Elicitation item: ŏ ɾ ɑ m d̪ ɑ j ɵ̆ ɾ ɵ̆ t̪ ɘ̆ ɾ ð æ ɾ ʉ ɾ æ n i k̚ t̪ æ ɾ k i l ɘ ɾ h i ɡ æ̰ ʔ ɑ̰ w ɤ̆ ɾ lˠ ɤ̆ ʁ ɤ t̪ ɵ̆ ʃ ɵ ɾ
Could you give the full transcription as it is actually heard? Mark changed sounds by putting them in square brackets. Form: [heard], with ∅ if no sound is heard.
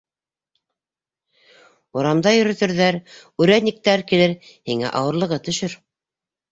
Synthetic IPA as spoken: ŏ ɾ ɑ m d̪ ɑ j ɵ̆ ɾ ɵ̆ t̪ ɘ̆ ɾ ð æ ɾ ʉ ɾ æ n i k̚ t̪ æ ɾ k i l ɘ ɾ h i [ŋ] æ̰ ʔ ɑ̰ w ɤ̆ ɾ lˠ ɤ̆ ʁ ɤ t̪ ɵ̆ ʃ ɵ ɾ